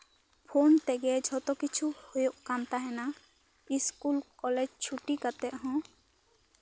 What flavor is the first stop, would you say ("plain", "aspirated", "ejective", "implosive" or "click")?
aspirated